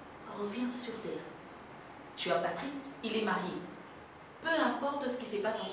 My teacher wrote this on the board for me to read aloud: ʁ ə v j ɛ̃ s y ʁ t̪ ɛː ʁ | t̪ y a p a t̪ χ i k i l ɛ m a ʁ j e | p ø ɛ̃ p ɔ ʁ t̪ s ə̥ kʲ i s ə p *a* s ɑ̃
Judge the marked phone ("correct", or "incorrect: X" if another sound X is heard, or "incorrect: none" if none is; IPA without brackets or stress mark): correct